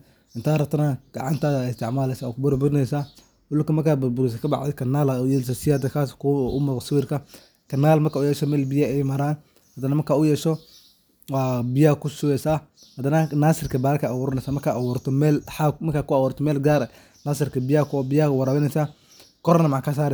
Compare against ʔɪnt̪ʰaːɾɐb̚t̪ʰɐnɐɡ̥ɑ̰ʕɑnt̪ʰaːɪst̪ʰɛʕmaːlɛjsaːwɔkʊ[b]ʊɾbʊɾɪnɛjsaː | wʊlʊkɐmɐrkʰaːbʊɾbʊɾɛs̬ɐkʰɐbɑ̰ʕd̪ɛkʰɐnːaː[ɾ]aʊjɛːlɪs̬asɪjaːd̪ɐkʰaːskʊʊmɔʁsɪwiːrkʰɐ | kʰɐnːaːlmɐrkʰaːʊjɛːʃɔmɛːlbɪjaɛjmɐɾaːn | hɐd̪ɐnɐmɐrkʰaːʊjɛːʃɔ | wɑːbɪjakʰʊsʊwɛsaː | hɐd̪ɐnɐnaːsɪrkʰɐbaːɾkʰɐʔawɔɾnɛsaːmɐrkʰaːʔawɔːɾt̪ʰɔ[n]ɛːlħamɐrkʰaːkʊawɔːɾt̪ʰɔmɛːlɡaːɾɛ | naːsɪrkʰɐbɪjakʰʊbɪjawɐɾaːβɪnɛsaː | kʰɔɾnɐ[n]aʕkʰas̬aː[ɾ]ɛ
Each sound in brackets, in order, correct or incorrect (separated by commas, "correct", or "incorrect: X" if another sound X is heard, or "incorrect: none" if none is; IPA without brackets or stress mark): correct, incorrect: l, incorrect: m, incorrect: m, correct